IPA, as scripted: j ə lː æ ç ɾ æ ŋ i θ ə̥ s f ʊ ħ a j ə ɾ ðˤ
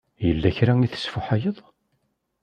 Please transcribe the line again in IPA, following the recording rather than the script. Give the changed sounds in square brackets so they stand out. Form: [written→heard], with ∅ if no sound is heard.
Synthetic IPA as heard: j ə lː æ ç ɾ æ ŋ i θ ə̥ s f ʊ ħ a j ə [ɾ→∅] ðˤ